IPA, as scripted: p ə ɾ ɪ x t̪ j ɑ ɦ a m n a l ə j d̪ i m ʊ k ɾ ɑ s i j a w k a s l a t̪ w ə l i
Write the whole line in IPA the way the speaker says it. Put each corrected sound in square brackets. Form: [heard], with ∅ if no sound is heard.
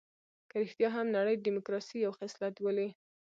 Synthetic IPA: [k] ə ɾ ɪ x t̪ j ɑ ɦ a m n a [ɽ] ə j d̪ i m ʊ k ɾ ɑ s i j a w [x] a s l a t̪ w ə l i

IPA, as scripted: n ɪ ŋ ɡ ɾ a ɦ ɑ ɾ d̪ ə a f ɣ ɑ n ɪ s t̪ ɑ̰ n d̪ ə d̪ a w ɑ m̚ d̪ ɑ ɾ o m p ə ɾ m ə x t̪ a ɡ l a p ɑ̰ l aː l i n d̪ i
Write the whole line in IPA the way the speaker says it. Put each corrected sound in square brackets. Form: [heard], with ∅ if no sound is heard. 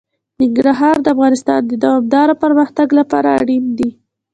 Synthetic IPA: n ɪ ŋ ɡ ɾ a ɦ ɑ ɾ d̪ ə a f ɣ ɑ n ɪ s t̪ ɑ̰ n d̪ ə d̪ a w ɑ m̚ d̪ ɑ ɾ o [∅] p ə ɾ m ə x t̪ a ɡ l a p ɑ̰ [ɾ] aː [ɽ] i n d̪ i

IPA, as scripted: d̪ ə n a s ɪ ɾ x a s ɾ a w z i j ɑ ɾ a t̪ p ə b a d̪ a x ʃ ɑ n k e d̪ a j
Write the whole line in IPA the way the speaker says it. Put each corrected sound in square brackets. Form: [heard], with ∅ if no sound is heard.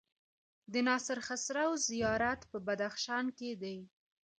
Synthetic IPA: d̪ ə n [ɑ] s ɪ ɾ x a s ɾ a w z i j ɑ ɾ a t̪ p ə b a d̪ a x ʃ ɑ n k e d̪ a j

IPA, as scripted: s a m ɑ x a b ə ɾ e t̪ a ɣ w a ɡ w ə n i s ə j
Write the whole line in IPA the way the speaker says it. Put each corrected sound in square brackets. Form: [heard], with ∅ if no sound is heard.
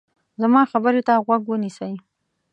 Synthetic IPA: [z] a m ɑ x a b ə ɾ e t̪ a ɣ w a ɡ w ə n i s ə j

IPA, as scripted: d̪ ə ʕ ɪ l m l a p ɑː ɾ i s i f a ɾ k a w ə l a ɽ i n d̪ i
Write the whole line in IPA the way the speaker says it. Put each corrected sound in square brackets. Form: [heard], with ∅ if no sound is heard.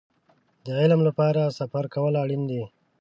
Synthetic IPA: d̪ ə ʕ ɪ l m l a p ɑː ɾ [a] s [a] f a ɾ k a w ə l a ɽ i n d̪ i

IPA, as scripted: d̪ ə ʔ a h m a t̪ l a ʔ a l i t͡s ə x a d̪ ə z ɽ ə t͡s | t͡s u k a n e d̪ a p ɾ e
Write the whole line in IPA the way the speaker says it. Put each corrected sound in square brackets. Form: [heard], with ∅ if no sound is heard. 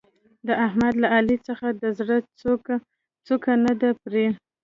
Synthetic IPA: d̪ ə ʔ a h m a [d̪] l a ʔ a l i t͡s ə x a d̪ ə z ɽ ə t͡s | t͡s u k a n [a] d̪ a p ɾ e

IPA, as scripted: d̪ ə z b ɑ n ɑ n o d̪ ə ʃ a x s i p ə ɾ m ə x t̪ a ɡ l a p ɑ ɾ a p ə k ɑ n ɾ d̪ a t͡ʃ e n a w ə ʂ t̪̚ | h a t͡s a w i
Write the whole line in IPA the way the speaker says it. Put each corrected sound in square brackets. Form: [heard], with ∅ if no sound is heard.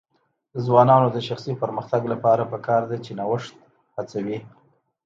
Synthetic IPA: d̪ ə z [w] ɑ n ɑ n o d̪ ə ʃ a x s i p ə ɾ m ə x t̪ a ɡ l a p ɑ ɾ a p ə k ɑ [∅] ɾ d̪ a t͡ʃ e n a w ə ʂ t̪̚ | h a t͡s a w i

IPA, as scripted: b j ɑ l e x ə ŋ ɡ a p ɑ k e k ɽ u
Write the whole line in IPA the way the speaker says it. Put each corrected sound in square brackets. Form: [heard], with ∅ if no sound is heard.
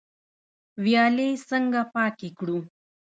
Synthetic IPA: [w] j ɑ l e [s] ə ŋ ɡ a p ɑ k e k ɽ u

